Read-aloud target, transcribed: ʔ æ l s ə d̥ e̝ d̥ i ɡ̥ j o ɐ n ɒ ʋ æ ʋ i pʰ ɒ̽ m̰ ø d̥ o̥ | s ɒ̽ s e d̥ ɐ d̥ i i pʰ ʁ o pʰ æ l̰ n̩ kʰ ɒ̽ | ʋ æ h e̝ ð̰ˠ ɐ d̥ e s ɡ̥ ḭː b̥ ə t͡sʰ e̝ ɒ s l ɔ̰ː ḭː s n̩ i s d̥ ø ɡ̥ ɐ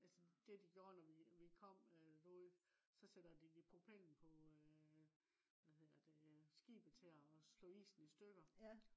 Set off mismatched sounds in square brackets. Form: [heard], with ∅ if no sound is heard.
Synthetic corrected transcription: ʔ æ l s ə d̥ e̝ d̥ i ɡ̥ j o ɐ n ɒ ʋ [i] ʋ i [kʰ] ɒ̽ m̰ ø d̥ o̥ | s ɒ̽ s e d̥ ɐ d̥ i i pʰ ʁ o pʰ [e] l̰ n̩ [pʰ] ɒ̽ | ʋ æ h e̝ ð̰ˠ ɐ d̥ e s ɡ̥ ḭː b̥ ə t͡sʰ e̝ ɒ s l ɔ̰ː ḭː s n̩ i s d̥ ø ɡ̥ ɐ